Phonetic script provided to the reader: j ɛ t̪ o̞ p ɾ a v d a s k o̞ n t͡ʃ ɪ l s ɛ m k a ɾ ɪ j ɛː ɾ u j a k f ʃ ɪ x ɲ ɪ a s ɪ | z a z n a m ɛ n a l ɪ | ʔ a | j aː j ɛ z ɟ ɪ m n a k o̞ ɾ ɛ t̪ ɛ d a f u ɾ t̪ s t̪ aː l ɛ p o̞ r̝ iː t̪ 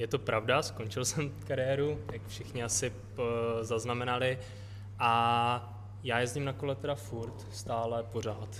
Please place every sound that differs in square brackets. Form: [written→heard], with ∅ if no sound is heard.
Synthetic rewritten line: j ɛ t̪ o̞ p ɾ a v d a s k o̞ n t͡ʃ ɪ l s ɛ m k a ɾ ɪ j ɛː ɾ u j a k f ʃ ɪ x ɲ ɪ a s ɪ | z a z n a m ɛ n a l ɪ | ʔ a | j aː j ɛ z ɟ ɪ m n a k o̞ [ɾ→l] ɛ t̪ ɛ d a f u ɾ t̪ s t̪ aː l ɛ p o̞ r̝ [iː→aː] t̪